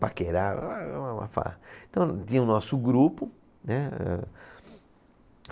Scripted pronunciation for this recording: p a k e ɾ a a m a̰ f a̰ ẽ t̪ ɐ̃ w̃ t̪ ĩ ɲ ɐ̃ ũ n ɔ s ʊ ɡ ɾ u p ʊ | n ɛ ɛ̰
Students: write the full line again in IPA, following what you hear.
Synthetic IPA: p a k e ɾ a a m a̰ f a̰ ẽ t̪ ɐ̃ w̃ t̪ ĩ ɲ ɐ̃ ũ n ɔ s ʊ ɡ ɾ u p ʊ | n ɛ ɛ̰